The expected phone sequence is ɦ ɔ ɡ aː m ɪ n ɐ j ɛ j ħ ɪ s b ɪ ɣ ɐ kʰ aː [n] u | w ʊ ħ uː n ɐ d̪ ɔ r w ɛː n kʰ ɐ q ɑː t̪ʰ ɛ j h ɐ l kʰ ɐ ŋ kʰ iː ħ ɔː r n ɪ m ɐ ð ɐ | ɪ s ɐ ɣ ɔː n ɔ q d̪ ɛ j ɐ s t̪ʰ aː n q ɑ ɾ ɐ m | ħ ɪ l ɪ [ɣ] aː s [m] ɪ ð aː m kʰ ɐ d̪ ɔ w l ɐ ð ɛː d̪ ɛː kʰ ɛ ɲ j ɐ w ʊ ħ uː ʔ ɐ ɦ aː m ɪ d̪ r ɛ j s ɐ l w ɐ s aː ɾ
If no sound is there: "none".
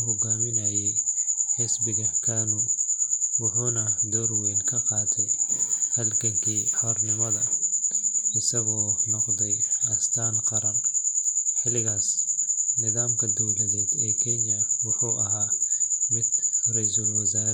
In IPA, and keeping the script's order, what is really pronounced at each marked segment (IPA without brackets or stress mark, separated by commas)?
n, ɣ, n